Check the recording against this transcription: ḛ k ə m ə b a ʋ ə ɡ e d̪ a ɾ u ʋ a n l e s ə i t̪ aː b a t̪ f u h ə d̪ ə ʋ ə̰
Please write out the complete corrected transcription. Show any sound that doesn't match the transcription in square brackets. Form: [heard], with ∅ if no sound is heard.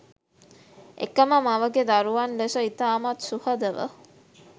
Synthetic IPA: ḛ k ə m ə [m] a ʋ ə ɡ e d̪ a ɾ u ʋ a n l e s ə i t̪ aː [m] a t̪ [s] u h ə d̪ ə ʋ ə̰